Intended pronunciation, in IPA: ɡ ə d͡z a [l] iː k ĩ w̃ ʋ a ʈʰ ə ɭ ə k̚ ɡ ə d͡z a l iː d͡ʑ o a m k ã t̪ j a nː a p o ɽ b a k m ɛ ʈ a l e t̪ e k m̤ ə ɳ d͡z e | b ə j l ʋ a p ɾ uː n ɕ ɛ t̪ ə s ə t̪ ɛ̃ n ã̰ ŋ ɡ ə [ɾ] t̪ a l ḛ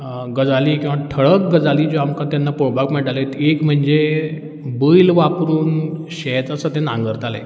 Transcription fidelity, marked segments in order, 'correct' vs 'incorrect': correct, correct

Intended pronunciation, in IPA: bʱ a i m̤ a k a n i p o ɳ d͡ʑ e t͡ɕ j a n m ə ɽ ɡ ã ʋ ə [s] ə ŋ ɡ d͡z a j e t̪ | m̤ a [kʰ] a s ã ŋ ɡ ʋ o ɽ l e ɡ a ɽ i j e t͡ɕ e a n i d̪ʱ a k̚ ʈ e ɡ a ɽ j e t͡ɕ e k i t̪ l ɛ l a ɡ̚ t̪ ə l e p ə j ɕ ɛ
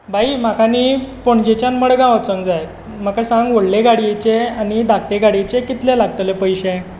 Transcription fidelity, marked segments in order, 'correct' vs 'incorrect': incorrect, incorrect

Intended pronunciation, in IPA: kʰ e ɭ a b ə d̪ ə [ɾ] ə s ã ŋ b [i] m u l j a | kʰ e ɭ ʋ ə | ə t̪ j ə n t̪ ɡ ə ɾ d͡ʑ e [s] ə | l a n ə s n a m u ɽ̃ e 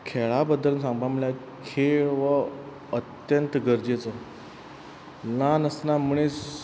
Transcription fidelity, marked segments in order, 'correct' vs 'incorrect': incorrect, incorrect, incorrect

